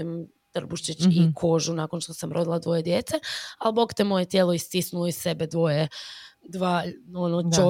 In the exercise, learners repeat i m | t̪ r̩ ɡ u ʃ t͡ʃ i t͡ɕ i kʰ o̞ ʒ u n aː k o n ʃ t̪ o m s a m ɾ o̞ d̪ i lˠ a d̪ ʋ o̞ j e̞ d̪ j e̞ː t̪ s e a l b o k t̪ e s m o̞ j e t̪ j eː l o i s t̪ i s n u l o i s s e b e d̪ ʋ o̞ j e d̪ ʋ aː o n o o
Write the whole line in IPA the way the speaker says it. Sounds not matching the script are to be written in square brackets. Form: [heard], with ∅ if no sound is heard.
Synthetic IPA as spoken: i m | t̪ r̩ [b] u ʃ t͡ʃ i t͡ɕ i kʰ o̞ ʒ u n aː k o n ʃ t̪ o [∅] s a m ɾ o̞ d̪ i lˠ a d̪ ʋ o̞ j e̞ d̪ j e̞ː t̪ s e a l b o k t̪ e [∅] m o̞ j e t̪ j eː l o i s t̪ i s n u l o i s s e b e d̪ ʋ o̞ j e d̪ ʋ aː o n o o